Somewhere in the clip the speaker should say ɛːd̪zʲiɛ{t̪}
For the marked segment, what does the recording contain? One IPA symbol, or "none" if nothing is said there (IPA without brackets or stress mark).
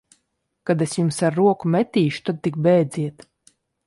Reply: t̪